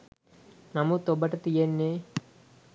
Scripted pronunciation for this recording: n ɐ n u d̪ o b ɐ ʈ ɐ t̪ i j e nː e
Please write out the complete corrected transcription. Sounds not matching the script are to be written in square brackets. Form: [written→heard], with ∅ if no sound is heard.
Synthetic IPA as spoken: n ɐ [n→m] u [d̪→t̪] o b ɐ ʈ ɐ t̪ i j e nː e